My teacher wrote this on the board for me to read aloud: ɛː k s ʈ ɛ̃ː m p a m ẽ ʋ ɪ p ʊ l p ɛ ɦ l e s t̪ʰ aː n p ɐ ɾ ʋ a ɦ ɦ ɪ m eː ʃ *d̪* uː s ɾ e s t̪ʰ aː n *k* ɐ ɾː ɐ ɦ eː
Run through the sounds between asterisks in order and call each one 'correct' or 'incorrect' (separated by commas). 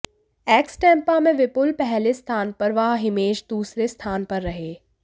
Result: correct, incorrect